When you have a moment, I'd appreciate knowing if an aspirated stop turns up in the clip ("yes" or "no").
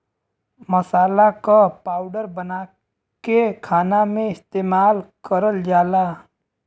yes